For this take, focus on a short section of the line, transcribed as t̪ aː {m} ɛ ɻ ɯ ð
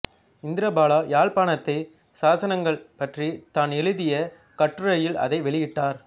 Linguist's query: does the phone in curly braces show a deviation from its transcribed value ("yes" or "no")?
yes